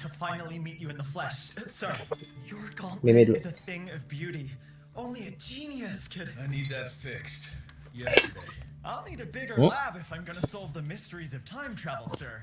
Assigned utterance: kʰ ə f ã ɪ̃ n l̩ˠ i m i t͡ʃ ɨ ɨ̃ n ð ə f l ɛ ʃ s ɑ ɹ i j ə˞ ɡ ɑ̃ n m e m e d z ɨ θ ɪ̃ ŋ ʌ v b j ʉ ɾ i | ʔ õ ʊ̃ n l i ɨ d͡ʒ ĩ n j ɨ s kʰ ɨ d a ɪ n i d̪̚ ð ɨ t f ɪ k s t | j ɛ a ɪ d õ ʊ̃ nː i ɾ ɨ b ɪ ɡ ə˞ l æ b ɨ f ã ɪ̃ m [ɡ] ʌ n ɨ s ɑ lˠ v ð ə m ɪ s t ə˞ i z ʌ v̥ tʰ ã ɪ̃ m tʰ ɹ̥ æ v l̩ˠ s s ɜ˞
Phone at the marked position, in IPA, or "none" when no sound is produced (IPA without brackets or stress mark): ɡ